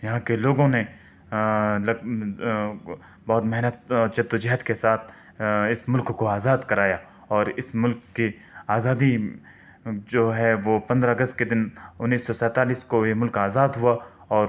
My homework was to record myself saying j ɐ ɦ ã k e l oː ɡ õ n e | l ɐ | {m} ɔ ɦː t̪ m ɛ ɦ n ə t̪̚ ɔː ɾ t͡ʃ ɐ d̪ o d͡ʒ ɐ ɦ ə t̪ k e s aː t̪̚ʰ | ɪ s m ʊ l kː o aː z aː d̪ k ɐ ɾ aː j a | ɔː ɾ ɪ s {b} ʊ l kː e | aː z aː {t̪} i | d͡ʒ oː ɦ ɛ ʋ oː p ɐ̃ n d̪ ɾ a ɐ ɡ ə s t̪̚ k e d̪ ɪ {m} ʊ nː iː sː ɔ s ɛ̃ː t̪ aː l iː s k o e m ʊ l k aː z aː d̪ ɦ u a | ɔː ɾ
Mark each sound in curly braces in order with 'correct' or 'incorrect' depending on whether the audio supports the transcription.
incorrect: b, incorrect: m, incorrect: d̪, incorrect: n

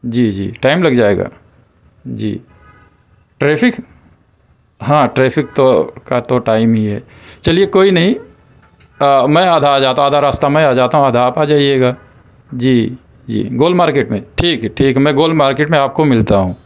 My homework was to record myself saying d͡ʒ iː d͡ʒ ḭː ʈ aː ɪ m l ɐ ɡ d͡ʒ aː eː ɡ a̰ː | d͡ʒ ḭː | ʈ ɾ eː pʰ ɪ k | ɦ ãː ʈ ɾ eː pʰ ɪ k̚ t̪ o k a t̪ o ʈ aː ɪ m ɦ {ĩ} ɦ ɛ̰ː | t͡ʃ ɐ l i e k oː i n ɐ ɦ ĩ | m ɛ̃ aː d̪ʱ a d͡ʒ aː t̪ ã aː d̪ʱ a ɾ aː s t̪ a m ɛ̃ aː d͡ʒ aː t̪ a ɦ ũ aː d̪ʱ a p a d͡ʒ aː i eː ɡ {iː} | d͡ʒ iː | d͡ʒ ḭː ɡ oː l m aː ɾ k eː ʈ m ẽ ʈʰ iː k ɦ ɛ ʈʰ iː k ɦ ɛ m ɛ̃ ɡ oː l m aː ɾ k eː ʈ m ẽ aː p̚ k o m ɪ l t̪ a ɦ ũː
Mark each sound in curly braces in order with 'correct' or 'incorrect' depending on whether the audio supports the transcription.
incorrect: i, incorrect: aː

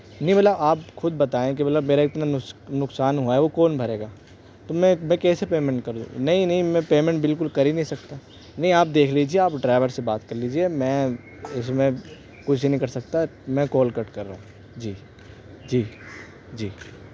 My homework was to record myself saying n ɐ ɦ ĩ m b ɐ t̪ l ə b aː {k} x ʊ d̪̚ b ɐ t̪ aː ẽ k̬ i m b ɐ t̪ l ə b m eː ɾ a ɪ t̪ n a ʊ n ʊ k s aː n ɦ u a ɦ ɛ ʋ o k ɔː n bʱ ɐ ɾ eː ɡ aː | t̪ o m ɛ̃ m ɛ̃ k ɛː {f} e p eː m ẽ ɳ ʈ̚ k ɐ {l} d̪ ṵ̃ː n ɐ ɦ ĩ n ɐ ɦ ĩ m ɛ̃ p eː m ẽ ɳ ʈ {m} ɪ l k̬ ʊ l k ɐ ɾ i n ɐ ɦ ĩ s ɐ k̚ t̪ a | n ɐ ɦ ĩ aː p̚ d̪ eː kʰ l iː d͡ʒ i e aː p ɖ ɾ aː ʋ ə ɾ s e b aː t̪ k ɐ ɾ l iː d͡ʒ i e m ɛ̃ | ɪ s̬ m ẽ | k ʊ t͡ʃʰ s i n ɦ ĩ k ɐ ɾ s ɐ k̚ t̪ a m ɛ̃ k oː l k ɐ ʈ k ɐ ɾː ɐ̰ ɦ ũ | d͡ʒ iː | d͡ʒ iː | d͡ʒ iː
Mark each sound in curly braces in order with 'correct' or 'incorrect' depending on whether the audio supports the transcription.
incorrect: p, incorrect: s, incorrect: ɾ, incorrect: b

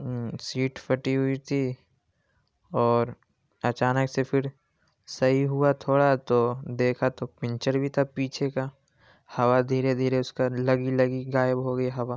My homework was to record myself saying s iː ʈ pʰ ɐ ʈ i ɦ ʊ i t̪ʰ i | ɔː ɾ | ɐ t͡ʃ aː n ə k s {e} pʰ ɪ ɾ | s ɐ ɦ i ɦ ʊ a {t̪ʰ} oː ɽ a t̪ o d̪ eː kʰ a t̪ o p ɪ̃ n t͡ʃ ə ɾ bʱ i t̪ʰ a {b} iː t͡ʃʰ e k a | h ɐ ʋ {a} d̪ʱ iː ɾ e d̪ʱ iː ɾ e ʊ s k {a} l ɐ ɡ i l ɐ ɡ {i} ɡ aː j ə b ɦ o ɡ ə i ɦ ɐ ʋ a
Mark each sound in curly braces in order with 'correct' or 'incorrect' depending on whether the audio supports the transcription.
correct, correct, incorrect: p, correct, correct, correct

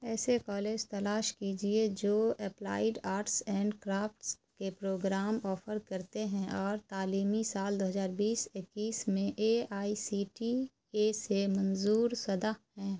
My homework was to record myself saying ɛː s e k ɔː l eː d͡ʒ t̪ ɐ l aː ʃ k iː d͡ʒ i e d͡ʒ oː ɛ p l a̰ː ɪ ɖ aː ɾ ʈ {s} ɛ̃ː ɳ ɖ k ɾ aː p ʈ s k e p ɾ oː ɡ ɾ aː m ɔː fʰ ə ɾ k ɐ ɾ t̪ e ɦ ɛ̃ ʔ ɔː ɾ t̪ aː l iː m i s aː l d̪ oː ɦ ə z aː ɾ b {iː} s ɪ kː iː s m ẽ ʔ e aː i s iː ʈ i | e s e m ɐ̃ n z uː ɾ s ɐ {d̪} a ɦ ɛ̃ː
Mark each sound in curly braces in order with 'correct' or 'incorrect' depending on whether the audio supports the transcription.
correct, correct, correct

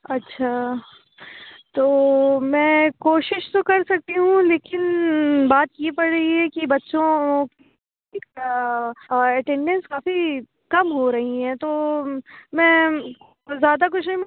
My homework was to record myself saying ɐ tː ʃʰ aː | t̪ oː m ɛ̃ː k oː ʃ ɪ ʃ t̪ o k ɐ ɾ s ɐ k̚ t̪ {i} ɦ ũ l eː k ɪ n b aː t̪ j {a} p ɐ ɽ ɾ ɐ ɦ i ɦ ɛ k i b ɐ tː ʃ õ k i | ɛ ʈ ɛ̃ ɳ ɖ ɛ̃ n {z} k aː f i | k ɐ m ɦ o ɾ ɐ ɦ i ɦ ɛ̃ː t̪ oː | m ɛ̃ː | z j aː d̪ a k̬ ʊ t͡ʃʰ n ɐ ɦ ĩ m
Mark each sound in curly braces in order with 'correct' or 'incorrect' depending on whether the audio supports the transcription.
correct, incorrect: e, incorrect: s

